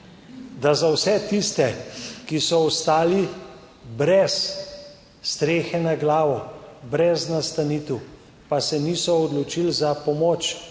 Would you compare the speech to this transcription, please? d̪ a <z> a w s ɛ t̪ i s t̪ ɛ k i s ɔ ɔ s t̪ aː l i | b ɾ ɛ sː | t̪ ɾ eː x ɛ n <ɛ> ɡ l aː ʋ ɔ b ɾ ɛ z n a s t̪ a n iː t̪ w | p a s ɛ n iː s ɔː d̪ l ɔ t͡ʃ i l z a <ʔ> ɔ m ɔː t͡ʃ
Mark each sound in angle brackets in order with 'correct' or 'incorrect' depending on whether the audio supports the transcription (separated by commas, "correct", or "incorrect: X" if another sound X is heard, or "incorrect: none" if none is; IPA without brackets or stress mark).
correct, incorrect: a, incorrect: p